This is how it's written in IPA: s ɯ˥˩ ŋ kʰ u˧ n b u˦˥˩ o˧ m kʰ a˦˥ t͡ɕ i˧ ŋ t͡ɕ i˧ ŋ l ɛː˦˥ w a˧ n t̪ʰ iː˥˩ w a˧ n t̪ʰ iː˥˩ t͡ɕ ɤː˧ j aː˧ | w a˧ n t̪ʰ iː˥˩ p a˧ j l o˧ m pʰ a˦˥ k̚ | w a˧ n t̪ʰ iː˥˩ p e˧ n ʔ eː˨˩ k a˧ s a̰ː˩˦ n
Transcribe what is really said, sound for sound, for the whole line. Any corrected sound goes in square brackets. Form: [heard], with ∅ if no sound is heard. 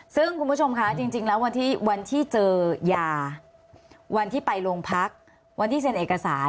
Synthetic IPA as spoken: s ɯ˥˩ ŋ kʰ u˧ n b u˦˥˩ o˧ m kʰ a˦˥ t͡ɕ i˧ ŋ t͡ɕ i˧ ŋ l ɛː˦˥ w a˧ n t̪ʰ iː˥˩ w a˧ n t̪ʰ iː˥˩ t͡ɕ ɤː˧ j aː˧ | w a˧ n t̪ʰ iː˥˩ p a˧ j l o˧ [ŋ] pʰ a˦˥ k̚ | w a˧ n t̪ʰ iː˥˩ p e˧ n ʔ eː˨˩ k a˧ s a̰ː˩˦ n